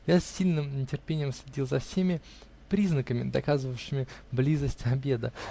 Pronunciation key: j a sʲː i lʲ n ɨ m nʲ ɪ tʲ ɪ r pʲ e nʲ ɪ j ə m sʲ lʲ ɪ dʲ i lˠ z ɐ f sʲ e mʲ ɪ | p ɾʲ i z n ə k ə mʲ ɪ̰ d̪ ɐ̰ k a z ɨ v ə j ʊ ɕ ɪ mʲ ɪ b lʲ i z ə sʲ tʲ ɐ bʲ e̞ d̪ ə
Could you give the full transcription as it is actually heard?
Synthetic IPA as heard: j a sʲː i lʲ n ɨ m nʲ ɪ tʲ ɪ r pʲ e nʲ ɪ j ə m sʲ lʲ ɪ dʲ i lˠ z ɐ f sʲ e mʲ ɪ | p ɾʲ i z n ə k ə mʲ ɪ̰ d̪ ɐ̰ k a z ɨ v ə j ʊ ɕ ɪ mʲ ɪ b lʲ i z ə sʲ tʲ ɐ bʲ e̞ d̪ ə